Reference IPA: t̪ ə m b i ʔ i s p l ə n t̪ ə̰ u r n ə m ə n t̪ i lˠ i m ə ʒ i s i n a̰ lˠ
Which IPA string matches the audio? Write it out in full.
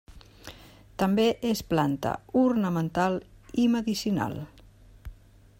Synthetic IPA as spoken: t̪ ə m b e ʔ e s p l a n t̪ ə̰ u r n ə m ə n t̪ a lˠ i m ə ð i s i n a̰ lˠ